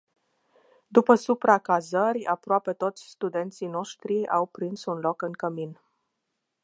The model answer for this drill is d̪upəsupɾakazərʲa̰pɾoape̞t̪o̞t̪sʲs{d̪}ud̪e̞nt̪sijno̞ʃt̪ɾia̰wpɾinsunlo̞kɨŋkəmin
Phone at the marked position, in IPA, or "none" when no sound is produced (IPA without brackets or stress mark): t̪